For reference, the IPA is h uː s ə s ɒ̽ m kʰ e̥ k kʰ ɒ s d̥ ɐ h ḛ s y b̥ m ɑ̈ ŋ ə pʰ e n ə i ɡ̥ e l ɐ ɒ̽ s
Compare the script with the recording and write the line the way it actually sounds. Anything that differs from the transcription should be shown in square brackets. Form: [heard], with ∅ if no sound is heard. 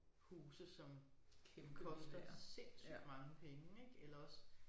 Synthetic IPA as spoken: h uː s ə s ɒ̽ m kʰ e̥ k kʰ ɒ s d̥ ɐ [s] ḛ s y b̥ m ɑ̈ ŋ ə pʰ e [ŋ] ə [e] ɡ̥ e l ɐ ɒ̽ s